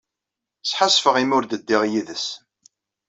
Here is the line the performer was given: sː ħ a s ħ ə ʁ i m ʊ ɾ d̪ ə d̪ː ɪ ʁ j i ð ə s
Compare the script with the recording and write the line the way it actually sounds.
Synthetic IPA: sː ħ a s f ə ʁ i m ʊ ɾ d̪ ə d̪ː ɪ ʁ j i ð ə s